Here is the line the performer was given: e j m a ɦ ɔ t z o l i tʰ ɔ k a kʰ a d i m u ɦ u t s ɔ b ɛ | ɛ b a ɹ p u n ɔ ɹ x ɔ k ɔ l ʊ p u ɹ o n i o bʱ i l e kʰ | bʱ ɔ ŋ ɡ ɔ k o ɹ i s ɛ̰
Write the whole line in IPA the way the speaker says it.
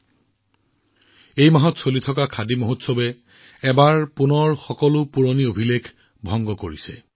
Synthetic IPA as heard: e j m a ɦ ɔ t s o l i tʰ ɔ k a kʰ a d i m o ɦ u t s ɔ b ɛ | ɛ b a ɹ p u n ɔ ɹ x ɔ k ɔ l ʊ p u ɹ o n i o bʱ i l e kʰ | bʱ ɔ ŋ ɡ ɔ k o ɹ i s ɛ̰